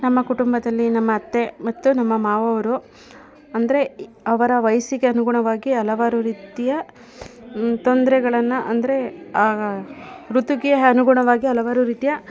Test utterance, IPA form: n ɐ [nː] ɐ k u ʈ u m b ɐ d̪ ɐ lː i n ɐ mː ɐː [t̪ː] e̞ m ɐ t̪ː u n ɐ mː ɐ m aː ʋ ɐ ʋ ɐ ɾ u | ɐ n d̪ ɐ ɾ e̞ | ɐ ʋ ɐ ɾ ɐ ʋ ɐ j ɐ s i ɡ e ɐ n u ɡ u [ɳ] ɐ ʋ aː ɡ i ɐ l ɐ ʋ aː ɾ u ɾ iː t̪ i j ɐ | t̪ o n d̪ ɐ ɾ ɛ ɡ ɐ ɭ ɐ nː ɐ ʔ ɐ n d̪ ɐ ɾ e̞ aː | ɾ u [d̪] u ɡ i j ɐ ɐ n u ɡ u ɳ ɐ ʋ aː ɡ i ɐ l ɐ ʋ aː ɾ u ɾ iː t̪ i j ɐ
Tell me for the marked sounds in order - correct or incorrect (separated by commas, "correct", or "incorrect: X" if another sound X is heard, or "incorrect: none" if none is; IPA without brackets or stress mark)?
incorrect: mː, correct, correct, incorrect: t̪